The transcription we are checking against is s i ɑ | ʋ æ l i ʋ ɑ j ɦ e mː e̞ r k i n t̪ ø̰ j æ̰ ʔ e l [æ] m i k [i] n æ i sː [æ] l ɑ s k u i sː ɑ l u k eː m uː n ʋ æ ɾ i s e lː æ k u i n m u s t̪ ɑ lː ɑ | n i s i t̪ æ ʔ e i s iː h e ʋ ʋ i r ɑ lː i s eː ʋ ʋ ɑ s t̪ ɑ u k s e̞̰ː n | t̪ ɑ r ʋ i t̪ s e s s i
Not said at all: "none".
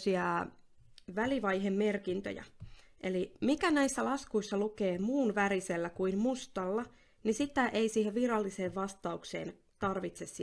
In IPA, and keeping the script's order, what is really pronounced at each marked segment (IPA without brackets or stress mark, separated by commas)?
i, æ, æ